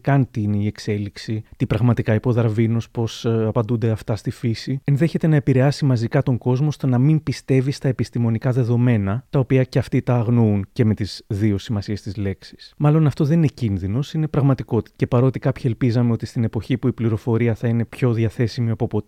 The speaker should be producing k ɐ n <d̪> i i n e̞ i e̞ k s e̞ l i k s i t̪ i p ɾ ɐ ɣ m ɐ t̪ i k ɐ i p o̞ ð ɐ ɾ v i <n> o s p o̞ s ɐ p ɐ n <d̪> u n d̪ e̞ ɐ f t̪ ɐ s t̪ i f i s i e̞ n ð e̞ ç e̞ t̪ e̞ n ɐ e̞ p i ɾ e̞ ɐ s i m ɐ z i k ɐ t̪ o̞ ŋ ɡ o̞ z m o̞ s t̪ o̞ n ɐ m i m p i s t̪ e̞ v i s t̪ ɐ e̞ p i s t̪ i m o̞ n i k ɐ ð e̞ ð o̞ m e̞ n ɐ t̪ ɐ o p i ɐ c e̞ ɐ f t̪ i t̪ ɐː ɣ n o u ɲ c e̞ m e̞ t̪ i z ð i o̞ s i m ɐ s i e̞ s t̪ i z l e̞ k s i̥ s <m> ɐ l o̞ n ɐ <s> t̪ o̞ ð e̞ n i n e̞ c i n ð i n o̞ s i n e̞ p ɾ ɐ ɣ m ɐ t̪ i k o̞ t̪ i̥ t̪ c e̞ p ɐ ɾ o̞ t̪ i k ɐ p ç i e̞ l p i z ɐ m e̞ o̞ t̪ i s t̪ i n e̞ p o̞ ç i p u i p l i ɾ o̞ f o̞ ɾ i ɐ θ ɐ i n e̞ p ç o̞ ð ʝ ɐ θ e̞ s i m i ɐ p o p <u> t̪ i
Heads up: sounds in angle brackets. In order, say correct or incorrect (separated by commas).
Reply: incorrect, correct, correct, correct, incorrect, incorrect